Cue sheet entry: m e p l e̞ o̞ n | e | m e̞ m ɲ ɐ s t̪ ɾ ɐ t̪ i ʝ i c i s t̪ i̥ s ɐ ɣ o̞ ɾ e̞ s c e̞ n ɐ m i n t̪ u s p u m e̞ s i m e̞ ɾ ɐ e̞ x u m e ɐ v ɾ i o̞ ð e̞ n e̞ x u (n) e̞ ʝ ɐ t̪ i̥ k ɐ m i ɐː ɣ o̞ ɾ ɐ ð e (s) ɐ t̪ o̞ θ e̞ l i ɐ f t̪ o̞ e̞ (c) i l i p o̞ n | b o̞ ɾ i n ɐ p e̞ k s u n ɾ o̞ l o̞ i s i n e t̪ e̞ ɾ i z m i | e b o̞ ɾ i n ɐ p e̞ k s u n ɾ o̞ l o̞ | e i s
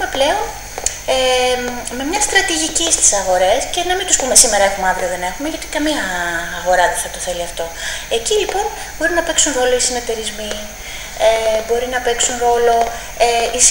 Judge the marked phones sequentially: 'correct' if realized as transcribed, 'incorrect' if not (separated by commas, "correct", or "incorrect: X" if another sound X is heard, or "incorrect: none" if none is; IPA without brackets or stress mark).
incorrect: m, incorrect: θ, correct